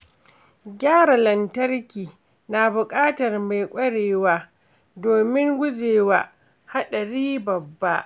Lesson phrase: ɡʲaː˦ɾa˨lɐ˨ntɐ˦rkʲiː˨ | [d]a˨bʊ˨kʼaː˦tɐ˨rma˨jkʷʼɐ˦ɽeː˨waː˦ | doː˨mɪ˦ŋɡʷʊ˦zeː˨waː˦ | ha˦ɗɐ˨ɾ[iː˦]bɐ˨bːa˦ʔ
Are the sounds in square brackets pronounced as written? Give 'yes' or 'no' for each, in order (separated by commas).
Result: no, yes